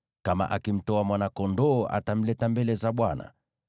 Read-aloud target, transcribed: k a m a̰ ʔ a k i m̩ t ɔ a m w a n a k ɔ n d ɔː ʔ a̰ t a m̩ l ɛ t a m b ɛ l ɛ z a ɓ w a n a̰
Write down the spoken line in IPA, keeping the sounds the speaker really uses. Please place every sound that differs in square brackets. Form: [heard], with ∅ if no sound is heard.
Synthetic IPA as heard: k a m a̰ ʔ a k i m̩ t ɔ a m w a n a k ɔ n d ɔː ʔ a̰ t a m̩ l ɛ t a m b ɛ l ɛ z a ɓ w a n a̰

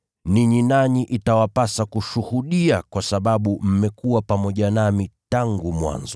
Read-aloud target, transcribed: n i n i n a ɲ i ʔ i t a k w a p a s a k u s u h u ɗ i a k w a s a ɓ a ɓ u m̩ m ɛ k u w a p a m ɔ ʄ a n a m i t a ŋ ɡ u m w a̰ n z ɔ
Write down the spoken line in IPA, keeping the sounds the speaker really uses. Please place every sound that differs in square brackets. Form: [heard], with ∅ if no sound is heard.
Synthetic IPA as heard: n i [ɲ] i n a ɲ i ʔ i t a [∅] w a p a s a k u [ʃ] u h u ɗ i a k w a s a ɓ a ɓ u m̩ m ɛ k u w a p a m ɔ ʄ a n a m i t a ŋ ɡ u m w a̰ n z ɔ

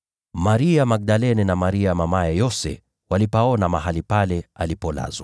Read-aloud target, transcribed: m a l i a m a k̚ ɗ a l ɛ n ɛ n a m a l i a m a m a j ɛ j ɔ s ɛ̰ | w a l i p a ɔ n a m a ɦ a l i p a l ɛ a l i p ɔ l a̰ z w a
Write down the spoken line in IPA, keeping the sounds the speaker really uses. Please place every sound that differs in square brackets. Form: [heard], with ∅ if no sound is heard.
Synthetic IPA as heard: m a [ɾ] i a m a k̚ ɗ a l ɛ n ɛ n a m a [ɾ] i a m a m a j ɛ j ɔ s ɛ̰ | w a l i p a ɔ n a m a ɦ a l i p a l ɛ a l i p ɔ l a̰ z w a

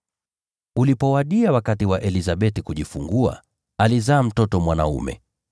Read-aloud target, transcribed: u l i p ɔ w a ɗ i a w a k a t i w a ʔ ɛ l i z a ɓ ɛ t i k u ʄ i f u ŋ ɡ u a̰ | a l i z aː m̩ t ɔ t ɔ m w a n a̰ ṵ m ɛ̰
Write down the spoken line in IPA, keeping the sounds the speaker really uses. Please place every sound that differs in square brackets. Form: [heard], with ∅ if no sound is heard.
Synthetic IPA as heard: u l i p ɔ w a ɗ i a w a k a t i w a ʔ ɛ l i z a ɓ ɛ t i k u ʄ i f u ŋ ɡ u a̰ | a l i z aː m̩ t ɔ t ɔ m w a n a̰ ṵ m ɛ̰

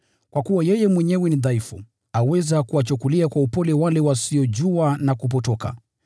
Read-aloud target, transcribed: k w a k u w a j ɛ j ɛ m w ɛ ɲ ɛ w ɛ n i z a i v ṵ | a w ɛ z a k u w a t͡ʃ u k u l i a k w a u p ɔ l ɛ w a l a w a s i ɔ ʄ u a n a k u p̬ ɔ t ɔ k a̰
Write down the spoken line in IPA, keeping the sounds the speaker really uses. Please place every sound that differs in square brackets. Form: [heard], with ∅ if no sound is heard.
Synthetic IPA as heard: k w a k u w a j ɛ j ɛ m w ɛ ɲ ɛ w ɛ n i [ð] a i [f] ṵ | a w ɛ z a k u w a t͡ʃ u k u l i a k w a u p ɔ l ɛ w a l [ɛ] w a s i ɔ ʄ u a n a k u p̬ ɔ t ɔ k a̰

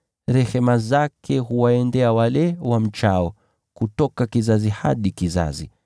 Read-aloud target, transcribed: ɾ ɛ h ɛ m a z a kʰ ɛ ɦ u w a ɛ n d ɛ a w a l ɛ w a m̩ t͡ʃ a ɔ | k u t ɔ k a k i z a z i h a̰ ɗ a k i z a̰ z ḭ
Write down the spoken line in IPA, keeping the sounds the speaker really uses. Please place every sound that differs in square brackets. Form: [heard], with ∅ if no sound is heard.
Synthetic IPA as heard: ɾ ɛ h ɛ m a z a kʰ ɛ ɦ u w a ɛ n d ɛ a w a l ɛ w a m̩ t͡ʃ a ɔ | k u t ɔ k a k i z a z i h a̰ ɗ [i] k i z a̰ z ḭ

